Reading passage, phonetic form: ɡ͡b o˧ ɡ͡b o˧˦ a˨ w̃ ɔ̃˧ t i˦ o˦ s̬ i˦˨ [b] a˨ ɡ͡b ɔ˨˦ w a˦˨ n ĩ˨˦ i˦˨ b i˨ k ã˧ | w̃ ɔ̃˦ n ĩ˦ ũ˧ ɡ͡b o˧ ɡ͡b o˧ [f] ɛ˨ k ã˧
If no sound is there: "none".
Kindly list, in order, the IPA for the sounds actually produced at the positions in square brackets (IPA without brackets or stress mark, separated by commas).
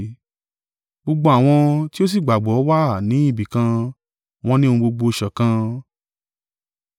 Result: ɡ͡b, ʃ